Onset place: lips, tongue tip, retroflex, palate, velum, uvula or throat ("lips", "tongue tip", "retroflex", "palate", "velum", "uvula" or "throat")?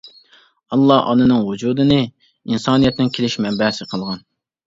tongue tip